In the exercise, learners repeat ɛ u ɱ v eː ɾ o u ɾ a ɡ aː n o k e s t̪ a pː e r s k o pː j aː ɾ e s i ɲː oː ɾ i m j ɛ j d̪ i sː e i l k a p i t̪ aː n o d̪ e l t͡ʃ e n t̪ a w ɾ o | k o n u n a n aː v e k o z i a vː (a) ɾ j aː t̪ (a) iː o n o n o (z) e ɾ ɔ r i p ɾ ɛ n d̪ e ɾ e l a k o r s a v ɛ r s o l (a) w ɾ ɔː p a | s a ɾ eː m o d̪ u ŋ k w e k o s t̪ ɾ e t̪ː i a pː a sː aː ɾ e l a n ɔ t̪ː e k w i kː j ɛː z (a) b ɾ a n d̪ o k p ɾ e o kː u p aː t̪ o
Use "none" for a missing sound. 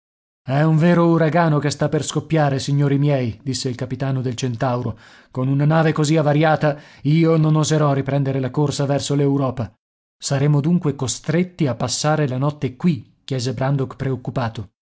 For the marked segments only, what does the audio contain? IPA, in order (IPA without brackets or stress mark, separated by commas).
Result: a, a, z, e, e